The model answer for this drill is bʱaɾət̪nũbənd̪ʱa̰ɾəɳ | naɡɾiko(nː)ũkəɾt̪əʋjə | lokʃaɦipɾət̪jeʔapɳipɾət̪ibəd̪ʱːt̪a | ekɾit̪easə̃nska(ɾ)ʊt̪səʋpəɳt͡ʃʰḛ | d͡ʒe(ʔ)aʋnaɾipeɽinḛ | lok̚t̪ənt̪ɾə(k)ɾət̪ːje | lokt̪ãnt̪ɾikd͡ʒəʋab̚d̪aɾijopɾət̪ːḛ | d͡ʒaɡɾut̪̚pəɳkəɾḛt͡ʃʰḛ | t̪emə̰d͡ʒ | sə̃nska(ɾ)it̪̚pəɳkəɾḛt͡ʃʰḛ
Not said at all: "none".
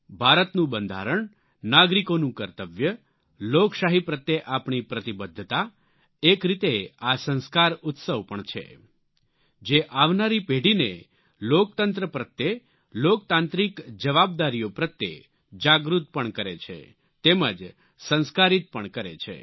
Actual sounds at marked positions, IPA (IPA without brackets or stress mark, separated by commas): n, ɾ, ʔ, p, ɾ